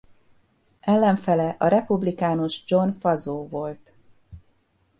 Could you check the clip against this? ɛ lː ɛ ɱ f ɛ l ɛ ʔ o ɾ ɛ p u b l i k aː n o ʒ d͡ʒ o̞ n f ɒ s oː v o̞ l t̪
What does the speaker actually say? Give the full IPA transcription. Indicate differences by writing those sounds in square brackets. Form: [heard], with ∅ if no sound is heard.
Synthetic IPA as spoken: ɛ lː ɛ ɱ f ɛ l ɛ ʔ [ɒ] ɾ ɛ p u b l i k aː n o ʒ d͡ʒ o̞ n f ɒ [z] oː v o̞ l t̪